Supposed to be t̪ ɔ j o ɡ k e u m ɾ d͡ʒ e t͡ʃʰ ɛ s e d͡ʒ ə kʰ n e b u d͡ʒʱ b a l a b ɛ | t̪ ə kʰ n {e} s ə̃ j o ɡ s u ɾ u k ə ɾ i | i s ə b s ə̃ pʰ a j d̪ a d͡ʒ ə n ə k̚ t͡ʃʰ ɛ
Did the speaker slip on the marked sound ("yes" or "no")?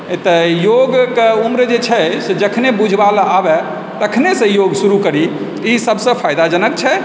no